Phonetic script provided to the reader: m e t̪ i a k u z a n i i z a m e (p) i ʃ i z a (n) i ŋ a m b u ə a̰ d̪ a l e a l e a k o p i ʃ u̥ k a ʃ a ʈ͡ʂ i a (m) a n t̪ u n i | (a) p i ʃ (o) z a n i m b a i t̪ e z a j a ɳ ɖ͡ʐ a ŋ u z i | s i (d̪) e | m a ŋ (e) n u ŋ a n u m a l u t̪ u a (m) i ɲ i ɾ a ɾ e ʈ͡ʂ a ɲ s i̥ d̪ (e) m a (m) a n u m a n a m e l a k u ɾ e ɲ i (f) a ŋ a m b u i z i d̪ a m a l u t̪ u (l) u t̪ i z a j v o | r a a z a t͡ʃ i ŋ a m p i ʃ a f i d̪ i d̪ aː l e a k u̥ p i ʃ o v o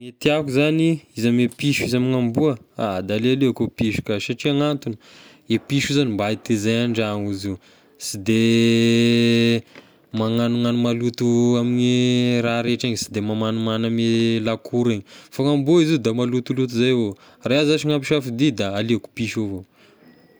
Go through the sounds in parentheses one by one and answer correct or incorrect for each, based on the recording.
correct, incorrect, incorrect, incorrect, incorrect, correct, incorrect, correct, correct, correct, correct, correct

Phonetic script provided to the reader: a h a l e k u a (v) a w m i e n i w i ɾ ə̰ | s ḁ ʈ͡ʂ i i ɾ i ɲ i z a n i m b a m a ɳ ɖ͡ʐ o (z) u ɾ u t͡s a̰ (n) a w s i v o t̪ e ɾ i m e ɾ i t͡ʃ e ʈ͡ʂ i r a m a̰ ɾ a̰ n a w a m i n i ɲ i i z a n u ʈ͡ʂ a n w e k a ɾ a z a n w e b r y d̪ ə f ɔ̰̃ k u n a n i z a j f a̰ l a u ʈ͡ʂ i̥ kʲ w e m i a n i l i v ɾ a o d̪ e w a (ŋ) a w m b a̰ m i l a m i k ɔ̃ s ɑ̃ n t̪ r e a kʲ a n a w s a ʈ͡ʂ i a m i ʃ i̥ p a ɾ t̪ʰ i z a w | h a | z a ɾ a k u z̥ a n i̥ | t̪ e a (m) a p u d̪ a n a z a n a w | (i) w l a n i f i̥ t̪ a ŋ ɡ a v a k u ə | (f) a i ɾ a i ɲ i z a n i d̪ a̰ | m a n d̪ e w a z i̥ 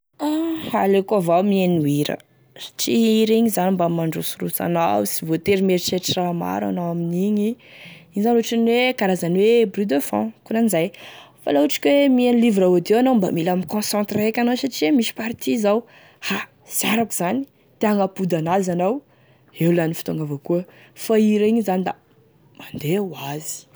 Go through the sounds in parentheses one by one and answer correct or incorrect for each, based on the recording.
correct, incorrect, correct, incorrect, incorrect, incorrect, correct

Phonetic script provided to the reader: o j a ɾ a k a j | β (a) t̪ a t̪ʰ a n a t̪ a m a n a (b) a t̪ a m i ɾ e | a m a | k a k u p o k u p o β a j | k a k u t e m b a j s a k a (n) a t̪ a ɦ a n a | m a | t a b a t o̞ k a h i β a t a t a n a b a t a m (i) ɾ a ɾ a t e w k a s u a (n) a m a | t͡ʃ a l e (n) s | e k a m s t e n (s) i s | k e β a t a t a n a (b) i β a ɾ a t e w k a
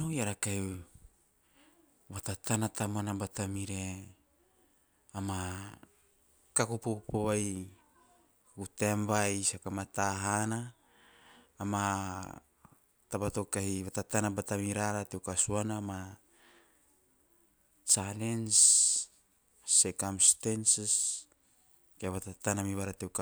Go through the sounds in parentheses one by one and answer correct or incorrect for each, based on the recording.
correct, correct, incorrect, correct, correct, correct, correct, incorrect

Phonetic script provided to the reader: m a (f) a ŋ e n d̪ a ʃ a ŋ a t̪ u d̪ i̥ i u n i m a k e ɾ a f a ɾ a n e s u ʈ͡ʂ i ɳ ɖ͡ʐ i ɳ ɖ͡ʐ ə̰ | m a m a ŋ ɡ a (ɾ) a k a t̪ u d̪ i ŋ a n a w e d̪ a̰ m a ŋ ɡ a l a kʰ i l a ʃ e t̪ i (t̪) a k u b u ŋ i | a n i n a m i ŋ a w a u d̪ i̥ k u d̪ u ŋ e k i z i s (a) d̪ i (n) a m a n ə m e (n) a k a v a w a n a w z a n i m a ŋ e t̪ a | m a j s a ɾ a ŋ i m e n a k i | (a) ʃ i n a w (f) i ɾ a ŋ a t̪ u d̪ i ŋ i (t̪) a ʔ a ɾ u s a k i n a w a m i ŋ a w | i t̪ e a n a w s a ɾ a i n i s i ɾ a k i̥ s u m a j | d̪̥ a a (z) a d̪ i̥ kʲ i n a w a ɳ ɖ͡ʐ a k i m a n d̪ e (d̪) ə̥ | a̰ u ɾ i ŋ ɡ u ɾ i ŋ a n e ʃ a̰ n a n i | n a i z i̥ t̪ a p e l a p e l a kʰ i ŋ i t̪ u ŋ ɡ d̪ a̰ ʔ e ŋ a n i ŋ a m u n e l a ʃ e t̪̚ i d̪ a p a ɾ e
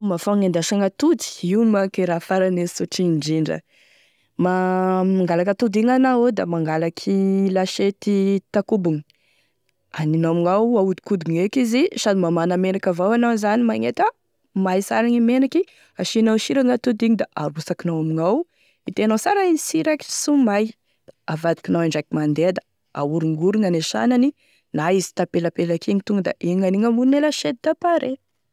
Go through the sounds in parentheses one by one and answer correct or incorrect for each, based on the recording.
correct, incorrect, correct, correct, incorrect, correct, correct, incorrect, incorrect, incorrect, correct

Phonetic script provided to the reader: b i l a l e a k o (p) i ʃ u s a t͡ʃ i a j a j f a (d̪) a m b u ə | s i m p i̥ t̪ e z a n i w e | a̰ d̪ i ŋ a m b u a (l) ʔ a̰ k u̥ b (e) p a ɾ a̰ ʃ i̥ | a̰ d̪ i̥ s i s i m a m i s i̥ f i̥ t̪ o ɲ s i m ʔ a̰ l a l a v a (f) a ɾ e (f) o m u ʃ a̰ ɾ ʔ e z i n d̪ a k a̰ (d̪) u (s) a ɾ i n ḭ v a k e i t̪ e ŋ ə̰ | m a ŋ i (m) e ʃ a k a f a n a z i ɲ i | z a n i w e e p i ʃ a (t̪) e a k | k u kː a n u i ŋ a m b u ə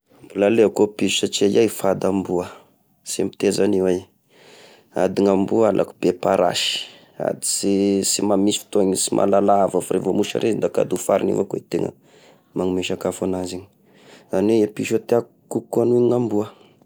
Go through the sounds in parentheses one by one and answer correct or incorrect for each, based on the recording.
correct, correct, correct, correct, correct, incorrect, correct, incorrect, correct, correct

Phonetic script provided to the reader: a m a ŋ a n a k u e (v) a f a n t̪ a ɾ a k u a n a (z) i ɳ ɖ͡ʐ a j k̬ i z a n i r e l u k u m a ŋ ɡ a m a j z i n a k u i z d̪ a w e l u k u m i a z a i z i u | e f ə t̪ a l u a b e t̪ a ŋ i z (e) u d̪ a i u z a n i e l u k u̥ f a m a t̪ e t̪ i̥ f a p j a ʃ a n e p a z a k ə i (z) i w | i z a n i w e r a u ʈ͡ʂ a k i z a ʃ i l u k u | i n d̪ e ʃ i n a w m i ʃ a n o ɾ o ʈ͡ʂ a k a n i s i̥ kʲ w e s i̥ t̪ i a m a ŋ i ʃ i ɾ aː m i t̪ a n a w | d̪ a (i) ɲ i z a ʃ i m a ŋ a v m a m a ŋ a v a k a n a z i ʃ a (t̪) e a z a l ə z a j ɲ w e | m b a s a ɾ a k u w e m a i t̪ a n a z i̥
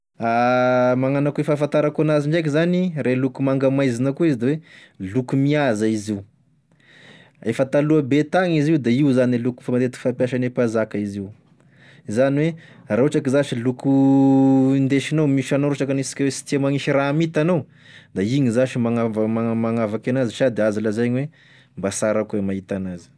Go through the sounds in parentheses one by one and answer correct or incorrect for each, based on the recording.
incorrect, correct, incorrect, correct, correct, incorrect

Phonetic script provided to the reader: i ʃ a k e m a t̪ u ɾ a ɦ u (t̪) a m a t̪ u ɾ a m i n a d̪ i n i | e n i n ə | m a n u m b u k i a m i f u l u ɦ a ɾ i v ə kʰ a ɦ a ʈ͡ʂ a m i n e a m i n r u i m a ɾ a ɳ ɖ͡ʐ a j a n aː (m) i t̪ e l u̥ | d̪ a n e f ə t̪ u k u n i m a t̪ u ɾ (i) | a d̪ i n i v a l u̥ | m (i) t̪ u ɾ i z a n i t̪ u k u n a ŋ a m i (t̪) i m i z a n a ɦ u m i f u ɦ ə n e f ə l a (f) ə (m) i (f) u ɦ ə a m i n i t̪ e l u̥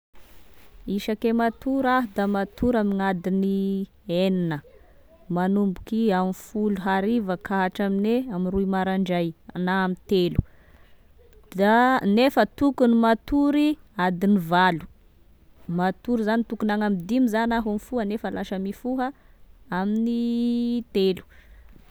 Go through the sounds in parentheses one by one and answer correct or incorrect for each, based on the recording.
incorrect, correct, correct, incorrect, incorrect, incorrect, correct, correct

